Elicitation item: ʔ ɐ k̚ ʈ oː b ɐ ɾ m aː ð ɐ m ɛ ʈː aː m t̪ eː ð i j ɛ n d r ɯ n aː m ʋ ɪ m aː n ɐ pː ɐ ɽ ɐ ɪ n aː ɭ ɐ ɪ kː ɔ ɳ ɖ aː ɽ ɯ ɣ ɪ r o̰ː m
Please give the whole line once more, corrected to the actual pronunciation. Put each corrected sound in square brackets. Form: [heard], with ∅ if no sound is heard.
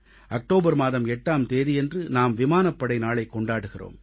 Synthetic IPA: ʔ ɐ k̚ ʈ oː b ɐ ɾ m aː ð ɐ m ɛ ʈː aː m t̪ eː ð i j ɛ n d r ɯ n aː m ʋ ɪ m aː n ɐ pː ɐ ɽ ɐ ɪ n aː ɭ ɐ ɪ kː ɔ ɳ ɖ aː ɽ ɯ ɣ ɪ r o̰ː m